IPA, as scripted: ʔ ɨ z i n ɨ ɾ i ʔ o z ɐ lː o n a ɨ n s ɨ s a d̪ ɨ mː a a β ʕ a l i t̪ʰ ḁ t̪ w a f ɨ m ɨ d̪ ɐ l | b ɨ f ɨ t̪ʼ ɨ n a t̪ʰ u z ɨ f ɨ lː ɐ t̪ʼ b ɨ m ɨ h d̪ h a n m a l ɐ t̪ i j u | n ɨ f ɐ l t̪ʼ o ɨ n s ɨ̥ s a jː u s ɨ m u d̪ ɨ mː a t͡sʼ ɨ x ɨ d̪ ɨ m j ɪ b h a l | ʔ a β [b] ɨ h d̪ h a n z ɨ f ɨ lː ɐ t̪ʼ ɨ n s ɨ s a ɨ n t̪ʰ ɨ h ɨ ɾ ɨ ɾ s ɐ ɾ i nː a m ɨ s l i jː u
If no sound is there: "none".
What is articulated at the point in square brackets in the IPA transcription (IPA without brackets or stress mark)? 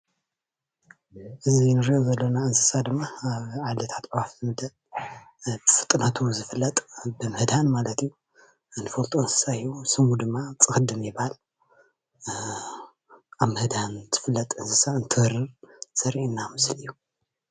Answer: m